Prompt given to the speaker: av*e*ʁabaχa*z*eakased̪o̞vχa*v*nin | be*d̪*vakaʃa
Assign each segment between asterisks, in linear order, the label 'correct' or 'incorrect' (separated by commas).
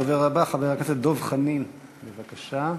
correct, incorrect, incorrect, incorrect